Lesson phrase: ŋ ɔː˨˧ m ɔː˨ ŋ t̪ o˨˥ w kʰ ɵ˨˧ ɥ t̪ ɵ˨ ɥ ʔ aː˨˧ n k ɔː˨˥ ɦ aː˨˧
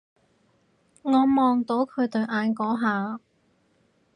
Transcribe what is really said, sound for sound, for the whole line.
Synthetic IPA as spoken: ŋ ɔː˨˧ m ɔː˨ ŋ t̪ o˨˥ w kʰ ɵ˨˧ ɥ t̪ ɵ˨ ɥ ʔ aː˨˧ n k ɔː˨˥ ɦ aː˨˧